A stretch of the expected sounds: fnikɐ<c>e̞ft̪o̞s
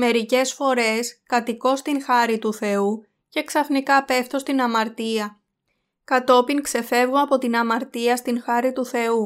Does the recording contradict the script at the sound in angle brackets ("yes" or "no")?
yes